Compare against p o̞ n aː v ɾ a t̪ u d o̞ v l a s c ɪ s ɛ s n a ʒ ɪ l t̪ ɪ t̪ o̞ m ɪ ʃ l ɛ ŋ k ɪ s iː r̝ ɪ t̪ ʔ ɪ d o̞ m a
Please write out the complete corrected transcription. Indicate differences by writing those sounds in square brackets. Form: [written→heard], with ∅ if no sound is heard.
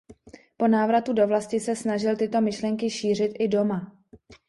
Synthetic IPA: p o̞ n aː v ɾ a t̪ u d o̞ v l a s c ɪ s ɛ s n a ʒ ɪ l t̪ ɪ t̪ o̞ m ɪ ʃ l ɛ ŋ k ɪ [s→ʃ] iː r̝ ɪ t̪ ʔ ɪ d o̞ m a